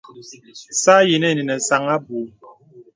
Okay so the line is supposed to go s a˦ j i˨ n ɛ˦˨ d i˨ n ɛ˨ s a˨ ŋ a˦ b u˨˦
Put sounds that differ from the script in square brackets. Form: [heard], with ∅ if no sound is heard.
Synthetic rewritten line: s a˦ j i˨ n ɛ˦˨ [n] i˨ n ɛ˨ s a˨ ŋ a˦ b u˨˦